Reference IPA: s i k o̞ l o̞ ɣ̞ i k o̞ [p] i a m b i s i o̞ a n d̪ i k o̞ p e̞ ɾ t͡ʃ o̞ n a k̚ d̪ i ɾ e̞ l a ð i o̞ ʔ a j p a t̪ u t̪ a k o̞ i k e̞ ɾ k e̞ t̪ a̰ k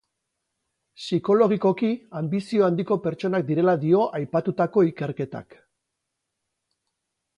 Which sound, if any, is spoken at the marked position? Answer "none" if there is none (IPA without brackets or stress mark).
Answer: k